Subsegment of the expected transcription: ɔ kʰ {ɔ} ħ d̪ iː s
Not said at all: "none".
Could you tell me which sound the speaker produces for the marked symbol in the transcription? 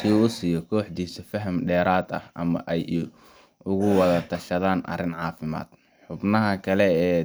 ɔː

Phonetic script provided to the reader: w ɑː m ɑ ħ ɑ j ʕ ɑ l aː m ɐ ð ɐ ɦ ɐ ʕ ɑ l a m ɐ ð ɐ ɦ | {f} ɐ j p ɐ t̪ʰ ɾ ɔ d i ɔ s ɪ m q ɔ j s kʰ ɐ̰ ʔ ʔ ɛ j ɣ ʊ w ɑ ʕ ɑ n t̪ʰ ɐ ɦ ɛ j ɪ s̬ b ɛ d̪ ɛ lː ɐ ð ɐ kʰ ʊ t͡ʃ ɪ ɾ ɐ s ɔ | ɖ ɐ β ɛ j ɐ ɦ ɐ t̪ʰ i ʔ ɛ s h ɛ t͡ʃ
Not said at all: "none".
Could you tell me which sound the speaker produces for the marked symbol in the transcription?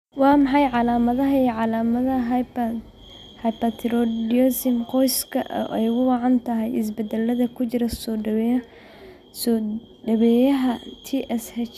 h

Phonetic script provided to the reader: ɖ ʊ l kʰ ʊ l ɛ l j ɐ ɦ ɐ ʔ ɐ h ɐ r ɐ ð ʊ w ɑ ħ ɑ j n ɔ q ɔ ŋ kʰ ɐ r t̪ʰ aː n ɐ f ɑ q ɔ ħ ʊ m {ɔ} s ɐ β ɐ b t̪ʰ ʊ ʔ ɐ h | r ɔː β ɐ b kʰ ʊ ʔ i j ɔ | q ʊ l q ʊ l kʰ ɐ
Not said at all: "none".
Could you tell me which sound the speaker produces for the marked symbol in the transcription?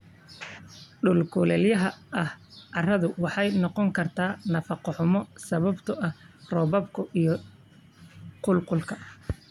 ɔ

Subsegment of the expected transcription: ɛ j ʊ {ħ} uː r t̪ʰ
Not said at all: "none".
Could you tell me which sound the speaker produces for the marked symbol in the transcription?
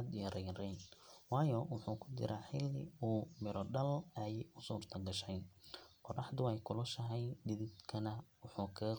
s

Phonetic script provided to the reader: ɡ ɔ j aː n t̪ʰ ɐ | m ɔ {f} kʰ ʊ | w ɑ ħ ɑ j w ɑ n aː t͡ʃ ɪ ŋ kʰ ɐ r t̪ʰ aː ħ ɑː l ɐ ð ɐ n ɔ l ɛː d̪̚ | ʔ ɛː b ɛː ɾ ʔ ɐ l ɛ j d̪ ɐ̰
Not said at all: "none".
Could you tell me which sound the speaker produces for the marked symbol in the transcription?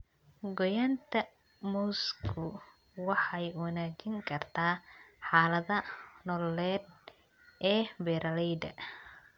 s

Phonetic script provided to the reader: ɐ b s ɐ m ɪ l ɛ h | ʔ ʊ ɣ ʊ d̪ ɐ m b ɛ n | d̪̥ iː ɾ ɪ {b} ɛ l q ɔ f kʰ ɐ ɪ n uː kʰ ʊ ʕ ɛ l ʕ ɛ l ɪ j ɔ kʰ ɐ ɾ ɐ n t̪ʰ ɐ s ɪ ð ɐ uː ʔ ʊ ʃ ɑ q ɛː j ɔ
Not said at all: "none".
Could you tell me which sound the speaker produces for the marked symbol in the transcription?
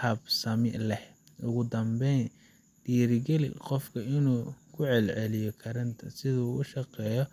ɡ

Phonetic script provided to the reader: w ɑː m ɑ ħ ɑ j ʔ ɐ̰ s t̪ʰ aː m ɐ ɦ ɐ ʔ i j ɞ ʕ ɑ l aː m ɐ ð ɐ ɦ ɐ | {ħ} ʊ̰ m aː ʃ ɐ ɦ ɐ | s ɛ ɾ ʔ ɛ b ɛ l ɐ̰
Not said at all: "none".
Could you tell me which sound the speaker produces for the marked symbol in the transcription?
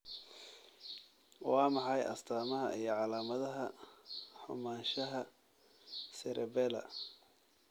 ħ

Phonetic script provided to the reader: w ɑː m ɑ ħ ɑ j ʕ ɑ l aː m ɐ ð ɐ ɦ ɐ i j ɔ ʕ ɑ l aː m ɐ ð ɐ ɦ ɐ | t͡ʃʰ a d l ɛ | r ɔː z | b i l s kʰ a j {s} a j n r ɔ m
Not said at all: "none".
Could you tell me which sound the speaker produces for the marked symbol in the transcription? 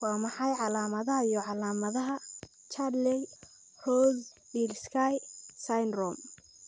s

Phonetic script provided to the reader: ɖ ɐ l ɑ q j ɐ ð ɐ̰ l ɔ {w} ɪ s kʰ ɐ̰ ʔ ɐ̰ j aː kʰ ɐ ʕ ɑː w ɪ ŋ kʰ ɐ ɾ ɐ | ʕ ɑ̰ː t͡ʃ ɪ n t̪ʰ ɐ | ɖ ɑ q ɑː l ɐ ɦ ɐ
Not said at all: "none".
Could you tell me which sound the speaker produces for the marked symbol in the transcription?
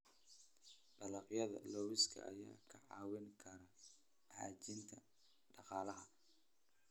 w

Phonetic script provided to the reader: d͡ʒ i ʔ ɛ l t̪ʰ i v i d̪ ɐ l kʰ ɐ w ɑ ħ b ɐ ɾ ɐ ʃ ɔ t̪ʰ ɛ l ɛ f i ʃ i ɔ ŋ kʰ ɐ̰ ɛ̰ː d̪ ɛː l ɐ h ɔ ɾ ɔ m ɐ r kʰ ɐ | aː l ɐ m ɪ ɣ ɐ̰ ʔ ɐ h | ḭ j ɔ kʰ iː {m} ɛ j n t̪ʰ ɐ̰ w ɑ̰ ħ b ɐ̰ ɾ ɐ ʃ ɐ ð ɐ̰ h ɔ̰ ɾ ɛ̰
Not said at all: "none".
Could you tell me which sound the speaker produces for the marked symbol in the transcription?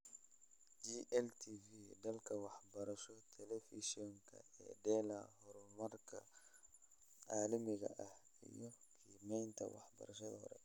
m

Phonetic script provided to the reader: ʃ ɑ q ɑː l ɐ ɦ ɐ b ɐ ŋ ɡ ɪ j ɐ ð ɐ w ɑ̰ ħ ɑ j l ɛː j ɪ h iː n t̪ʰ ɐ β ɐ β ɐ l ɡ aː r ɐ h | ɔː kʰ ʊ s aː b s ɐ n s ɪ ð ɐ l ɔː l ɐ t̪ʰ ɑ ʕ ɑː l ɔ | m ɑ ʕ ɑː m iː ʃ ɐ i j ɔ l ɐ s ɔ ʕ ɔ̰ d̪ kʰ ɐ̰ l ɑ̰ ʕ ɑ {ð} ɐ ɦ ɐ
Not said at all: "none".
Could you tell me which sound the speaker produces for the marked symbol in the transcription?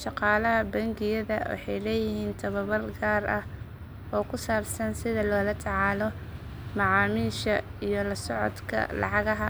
ɣ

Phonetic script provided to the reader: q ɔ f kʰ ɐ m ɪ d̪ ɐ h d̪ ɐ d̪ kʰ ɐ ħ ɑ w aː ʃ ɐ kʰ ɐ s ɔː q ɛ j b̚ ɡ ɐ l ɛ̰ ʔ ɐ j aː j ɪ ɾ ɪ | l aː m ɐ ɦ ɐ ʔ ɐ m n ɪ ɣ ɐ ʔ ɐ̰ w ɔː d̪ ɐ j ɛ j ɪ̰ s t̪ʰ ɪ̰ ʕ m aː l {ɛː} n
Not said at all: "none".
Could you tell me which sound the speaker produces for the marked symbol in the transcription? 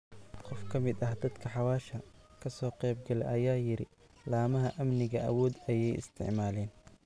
ɛː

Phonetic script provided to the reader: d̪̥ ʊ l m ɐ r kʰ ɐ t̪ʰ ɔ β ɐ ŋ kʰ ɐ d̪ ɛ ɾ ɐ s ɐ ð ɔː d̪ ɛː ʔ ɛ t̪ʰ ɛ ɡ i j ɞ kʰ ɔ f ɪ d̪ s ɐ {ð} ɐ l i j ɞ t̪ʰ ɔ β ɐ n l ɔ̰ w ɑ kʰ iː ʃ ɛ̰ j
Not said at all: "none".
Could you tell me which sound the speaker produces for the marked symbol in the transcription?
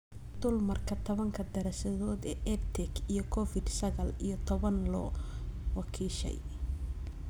ɣ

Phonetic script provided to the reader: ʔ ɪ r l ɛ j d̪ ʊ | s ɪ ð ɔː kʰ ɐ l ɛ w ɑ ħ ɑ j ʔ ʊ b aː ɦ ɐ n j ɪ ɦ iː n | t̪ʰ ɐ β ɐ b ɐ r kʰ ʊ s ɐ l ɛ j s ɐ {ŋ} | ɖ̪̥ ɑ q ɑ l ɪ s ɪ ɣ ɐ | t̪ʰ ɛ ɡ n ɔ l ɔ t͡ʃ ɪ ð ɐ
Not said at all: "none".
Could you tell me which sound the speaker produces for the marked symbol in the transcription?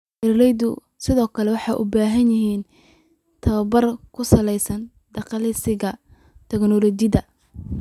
n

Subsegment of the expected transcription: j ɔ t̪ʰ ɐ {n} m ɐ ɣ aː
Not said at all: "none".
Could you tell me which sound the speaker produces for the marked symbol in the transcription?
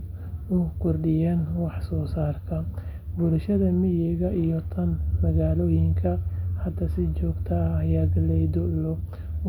n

